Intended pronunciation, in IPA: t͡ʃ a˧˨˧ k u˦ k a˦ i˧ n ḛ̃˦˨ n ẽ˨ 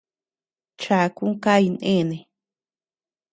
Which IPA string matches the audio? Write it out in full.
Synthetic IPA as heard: t͡ʃ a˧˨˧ k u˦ k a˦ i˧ n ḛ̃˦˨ n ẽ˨